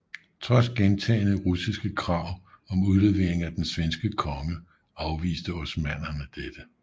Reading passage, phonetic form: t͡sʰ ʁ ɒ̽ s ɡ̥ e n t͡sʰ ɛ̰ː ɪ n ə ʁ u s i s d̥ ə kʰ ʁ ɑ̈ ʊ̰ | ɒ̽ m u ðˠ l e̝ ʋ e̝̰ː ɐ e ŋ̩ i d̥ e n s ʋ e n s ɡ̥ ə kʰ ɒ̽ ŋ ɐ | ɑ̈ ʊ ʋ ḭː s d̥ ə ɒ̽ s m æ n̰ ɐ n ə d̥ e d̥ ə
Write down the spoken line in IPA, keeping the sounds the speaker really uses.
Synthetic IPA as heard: t͡sʰ ʁ ɒ̽ s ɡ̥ e n t͡sʰ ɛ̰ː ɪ n ə ʁ u s i s ɡ̥ ə kʰ ʁ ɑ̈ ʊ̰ | ɒ̽ m u ðˠ l e̝ ʋ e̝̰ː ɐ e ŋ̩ æ d̥ e n s ʋ e n s ɡ̥ ə kʰ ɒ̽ ŋ ə | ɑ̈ ʊ ʋ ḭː s d̥ ə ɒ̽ s m æ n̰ ɐ n ə d̥ e d̥ ə